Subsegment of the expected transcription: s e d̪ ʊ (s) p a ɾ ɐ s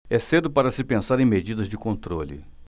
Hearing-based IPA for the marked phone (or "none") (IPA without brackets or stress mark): none